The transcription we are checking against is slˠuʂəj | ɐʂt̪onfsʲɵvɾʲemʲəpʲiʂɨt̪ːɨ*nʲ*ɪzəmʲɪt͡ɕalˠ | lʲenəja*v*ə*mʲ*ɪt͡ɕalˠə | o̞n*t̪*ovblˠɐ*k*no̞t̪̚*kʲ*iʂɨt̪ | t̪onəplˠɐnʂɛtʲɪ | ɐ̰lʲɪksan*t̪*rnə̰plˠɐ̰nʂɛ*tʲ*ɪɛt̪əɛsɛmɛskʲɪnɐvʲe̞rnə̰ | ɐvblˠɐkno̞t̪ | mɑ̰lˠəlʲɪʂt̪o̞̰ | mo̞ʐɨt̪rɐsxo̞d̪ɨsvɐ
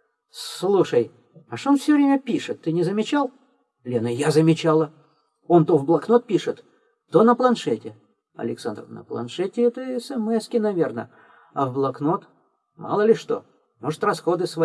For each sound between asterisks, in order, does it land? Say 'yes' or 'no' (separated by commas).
yes, no, yes, yes, yes, no, no, yes